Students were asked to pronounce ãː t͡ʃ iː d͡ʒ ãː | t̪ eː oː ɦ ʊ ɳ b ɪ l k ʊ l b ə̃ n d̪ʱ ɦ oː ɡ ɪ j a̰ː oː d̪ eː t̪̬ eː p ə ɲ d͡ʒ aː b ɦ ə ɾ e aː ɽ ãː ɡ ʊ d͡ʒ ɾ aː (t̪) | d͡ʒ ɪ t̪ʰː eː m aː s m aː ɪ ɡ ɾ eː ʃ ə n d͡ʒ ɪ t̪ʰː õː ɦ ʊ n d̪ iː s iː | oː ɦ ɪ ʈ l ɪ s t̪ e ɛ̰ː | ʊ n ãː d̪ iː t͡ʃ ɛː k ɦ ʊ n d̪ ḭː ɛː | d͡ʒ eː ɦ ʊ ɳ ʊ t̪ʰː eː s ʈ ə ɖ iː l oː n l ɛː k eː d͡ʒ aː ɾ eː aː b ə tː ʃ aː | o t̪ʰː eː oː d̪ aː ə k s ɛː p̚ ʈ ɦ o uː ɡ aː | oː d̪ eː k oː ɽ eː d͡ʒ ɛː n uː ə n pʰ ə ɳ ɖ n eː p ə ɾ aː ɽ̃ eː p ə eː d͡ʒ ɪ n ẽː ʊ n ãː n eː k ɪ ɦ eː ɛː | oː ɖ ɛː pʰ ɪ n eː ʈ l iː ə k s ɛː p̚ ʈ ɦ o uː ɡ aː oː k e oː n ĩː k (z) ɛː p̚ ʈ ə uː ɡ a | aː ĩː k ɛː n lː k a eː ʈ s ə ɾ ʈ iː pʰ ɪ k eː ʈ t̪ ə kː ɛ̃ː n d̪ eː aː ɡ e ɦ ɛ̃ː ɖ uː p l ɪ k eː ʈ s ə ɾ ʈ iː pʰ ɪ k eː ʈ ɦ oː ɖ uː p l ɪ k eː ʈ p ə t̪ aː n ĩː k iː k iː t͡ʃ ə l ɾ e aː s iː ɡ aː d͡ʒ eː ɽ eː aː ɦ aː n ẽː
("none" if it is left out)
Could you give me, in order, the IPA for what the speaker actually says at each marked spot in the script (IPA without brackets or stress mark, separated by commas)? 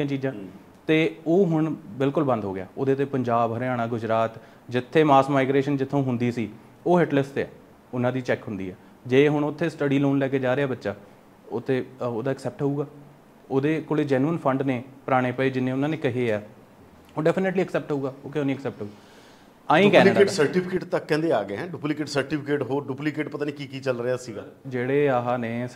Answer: t̪, s